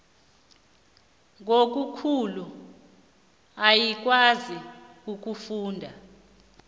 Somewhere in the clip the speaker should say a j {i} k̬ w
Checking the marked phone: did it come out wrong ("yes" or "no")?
no